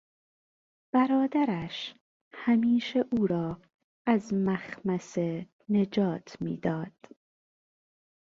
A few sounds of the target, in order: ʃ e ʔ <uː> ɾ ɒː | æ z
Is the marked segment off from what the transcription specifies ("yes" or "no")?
no